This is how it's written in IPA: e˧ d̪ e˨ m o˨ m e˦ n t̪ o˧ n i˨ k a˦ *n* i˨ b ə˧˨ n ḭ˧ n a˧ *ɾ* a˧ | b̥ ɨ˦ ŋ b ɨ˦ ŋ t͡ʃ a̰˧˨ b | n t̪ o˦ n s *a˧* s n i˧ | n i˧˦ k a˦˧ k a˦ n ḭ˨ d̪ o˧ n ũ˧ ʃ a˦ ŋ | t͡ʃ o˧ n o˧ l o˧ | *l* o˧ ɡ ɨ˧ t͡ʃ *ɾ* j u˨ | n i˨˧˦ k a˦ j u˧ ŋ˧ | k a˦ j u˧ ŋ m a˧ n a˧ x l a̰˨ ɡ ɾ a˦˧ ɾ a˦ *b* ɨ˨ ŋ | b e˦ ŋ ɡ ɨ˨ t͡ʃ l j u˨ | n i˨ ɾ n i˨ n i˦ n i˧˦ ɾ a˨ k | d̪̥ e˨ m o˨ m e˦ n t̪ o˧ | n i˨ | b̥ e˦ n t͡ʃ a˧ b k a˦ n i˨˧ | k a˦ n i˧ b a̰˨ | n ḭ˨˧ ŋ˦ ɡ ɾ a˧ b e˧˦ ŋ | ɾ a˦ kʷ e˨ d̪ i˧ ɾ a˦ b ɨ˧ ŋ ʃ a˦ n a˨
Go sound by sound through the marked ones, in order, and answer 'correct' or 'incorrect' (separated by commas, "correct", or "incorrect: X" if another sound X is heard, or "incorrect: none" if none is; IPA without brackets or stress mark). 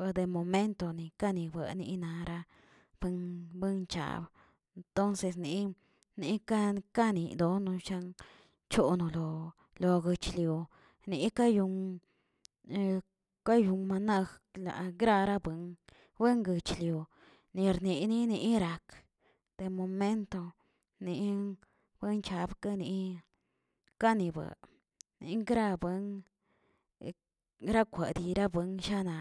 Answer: correct, correct, incorrect: e˧, correct, incorrect: l, correct